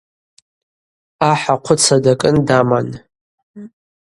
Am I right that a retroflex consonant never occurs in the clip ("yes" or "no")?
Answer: yes